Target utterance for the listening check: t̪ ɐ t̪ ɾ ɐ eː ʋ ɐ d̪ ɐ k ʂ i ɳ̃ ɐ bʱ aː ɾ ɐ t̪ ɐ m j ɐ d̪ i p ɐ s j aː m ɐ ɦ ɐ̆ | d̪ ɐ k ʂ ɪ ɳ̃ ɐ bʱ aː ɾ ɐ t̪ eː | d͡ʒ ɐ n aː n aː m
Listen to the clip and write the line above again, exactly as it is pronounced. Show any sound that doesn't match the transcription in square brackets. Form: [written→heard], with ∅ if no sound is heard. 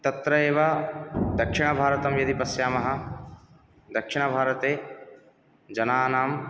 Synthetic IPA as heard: t̪ ɐ t̪ ɾ ɐ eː ʋ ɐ d̪ ɐ k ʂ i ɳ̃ ɐ bʱ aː ɾ ɐ t̪ ɐ m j ɐ d̪ i p ɐ s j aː m ɐ ɦ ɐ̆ | d̪ ɐ k ʂ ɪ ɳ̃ ɐ bʱ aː ɾ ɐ t̪ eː | d͡ʒ ɐ n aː n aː m